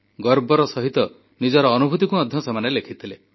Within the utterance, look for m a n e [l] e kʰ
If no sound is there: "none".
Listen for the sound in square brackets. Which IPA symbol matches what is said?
l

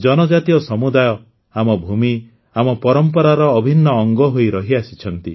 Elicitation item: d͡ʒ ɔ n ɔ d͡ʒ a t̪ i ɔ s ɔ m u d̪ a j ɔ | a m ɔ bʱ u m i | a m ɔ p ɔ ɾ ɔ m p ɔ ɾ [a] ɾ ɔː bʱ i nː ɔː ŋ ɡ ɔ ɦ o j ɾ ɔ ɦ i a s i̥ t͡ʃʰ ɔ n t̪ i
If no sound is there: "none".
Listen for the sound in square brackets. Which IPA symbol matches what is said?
a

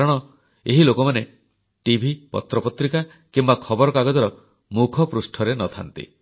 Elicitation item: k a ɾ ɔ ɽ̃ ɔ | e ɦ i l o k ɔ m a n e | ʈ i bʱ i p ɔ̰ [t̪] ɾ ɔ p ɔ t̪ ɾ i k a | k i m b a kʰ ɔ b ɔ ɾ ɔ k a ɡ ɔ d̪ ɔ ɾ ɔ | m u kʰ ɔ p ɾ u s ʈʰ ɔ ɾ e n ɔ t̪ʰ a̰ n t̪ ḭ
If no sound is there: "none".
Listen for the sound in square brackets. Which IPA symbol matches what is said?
t̪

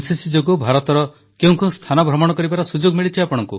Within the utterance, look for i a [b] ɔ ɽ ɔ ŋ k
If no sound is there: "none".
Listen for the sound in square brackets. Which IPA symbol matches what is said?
p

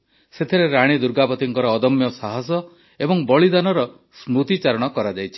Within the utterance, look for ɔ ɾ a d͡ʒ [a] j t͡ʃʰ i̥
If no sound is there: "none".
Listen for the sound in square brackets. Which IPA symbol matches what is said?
a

